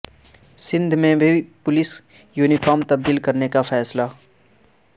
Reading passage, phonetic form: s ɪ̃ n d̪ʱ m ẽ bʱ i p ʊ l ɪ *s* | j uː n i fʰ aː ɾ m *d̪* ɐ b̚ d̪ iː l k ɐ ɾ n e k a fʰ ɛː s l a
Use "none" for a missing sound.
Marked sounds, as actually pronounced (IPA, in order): s, t̪

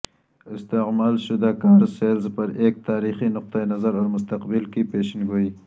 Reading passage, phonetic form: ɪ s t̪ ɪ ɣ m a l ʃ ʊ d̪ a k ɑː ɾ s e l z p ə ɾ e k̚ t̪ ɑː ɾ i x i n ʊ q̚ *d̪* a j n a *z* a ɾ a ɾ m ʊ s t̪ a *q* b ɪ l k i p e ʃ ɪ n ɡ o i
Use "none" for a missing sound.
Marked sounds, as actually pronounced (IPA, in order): t̪, z, q

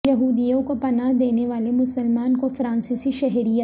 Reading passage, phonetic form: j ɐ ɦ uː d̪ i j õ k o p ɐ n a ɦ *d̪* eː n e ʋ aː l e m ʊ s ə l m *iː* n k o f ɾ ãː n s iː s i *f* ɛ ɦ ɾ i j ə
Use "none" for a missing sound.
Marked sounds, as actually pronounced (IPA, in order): d̪, aː, ʃ

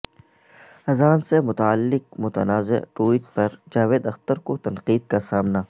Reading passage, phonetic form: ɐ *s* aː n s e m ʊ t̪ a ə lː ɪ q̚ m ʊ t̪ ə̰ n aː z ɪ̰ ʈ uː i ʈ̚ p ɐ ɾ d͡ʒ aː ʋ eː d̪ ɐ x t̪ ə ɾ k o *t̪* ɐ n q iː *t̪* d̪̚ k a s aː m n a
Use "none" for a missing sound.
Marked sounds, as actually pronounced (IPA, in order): z, t̪, none

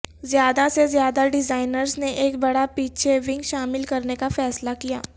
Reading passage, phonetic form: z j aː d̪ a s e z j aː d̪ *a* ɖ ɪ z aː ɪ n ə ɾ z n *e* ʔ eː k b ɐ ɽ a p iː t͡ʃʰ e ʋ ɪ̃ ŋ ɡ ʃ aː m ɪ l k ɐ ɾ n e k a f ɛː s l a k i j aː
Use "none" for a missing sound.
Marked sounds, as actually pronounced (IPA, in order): a, e

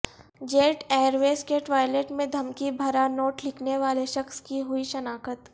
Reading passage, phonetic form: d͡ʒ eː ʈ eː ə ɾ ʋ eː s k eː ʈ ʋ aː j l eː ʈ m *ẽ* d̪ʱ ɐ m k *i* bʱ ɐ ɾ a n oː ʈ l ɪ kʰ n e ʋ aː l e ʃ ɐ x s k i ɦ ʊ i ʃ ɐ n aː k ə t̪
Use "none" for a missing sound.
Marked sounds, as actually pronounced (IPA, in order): ẽ, i

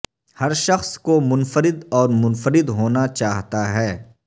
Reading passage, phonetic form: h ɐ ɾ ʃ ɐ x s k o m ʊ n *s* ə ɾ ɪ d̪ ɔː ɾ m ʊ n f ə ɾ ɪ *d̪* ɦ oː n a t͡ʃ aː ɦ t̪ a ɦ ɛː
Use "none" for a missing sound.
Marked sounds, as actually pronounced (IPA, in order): f, d̪

